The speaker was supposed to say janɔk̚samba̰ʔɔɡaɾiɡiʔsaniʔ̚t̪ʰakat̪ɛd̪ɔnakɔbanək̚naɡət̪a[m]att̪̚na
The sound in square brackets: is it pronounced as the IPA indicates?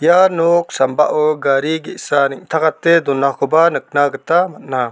yes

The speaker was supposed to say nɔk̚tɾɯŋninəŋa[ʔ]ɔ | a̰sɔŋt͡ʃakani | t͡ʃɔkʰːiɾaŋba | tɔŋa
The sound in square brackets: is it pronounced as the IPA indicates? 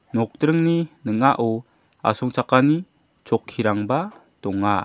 yes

